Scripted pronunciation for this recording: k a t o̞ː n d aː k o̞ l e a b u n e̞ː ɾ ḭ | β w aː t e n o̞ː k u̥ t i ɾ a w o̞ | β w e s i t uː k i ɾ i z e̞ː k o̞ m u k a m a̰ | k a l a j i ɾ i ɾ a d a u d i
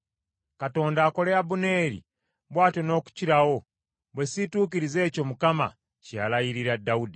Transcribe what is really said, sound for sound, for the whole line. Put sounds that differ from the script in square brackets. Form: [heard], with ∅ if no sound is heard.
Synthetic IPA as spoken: k a t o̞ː n d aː k o̞ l e a b u n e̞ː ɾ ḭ | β w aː t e n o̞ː k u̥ [c] i ɾ a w o̞ | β w e s i t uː k i ɾ i z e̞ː [c] o̞ m u k a m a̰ | [c] a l a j i ɾ i ɾ a d a u d i